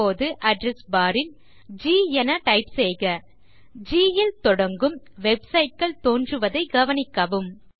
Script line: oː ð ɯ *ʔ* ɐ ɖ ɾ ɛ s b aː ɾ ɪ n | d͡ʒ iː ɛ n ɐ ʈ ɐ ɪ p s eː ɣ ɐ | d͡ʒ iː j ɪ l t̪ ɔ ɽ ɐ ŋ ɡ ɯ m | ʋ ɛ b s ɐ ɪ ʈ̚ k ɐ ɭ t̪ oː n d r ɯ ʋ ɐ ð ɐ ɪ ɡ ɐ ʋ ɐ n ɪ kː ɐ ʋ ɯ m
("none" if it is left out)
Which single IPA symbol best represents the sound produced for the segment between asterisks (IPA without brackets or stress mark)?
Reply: ʔ